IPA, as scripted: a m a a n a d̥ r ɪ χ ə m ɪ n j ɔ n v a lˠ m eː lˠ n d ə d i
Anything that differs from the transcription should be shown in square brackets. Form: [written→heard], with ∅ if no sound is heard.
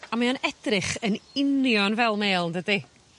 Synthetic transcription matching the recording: a m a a n [a→ɛ] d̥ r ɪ χ ə [m→n] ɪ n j ɔ n v [a→ɛ] lˠ m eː lˠ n d ə d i

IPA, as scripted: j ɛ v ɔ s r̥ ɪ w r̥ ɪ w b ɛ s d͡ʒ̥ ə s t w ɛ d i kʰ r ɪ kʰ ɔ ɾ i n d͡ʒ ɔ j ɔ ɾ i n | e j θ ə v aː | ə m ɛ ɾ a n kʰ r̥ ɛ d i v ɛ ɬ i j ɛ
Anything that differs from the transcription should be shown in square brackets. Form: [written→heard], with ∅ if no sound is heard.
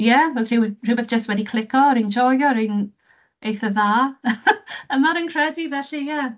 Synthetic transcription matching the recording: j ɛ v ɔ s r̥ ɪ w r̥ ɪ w b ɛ [s→θ] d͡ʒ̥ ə s t w ɛ d i kʰ [r→l] ɪ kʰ ɔ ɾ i n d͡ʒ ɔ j ɔ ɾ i n | e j θ ə [v→ð] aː | ə m [ɛ→a] ɾ [a→ə] n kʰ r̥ ɛ d i v ɛ ɬ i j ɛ

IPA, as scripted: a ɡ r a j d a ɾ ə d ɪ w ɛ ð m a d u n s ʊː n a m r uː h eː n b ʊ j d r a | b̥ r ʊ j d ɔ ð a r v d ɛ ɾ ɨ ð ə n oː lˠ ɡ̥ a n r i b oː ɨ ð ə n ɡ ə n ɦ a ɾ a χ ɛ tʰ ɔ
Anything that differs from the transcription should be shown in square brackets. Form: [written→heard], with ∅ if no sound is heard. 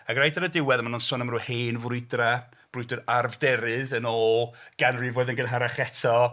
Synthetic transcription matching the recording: a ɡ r a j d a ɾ ə d ɪ w ɛ ð m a [d→n] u n s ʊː n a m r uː h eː n [b→v] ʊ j d r a | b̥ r ʊ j d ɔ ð a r v d ɛ ɾ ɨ ð ə n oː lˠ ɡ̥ a n r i [b→v] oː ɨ ð ə n ɡ ə n ɦ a ɾ a χ ɛ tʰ ɔ

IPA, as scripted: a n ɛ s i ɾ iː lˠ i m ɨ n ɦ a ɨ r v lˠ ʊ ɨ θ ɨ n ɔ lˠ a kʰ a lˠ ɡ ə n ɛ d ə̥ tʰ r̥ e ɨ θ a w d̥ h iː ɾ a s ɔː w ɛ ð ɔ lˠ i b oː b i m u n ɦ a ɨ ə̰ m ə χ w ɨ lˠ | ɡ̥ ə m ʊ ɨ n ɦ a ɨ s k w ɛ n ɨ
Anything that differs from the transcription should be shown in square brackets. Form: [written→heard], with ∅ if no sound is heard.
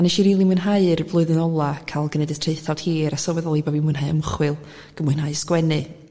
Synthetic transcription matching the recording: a n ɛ [s→ʃ] i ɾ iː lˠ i m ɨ n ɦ a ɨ r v lˠ ʊ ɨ [θ→ð] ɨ n ɔ lˠ a kʰ a lˠ ɡ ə n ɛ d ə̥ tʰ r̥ e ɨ θ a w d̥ h iː ɾ a s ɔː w ɛ ð ɔ lˠ i b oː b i m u n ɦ a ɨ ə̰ m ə χ w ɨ lˠ | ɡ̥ ə m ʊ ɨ n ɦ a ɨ s k w ɛ n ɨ

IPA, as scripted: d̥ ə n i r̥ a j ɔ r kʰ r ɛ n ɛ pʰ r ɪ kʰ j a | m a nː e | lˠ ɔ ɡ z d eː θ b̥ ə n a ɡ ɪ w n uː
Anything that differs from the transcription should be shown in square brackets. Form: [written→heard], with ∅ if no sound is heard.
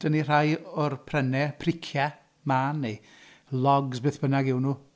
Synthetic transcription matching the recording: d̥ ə n i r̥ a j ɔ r [kʰ→pʰ] r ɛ n ɛ pʰ r ɪ kʰ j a | m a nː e | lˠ ɔ ɡ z [d→b] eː θ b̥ ə n a ɡ ɪ w n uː

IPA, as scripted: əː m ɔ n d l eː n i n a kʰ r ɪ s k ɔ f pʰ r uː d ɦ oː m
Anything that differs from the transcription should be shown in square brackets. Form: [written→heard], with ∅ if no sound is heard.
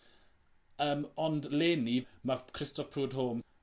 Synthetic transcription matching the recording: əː m ɔ n d l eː n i [n→m] a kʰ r ɪ s [k→t] ɔ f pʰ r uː d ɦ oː m

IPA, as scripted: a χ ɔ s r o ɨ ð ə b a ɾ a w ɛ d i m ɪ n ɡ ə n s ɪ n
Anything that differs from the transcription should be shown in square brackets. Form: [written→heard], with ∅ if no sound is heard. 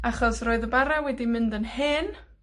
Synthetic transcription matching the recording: a χ ɔ s r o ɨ ð ə b a ɾ a w ɛ d i m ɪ n [ɡ→d] ə n [s→h] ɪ n

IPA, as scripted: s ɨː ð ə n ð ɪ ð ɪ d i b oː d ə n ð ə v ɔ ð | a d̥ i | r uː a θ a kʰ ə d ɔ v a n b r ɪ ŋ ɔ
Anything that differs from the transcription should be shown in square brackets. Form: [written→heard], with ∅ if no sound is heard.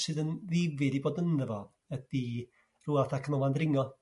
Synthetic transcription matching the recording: s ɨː ð ə n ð ɪ [ð→v] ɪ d i b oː d ə n ð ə v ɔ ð | [a→ə] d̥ i | r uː a θ a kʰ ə [d→n] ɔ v a n [b→d] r ɪ ŋ ɔ

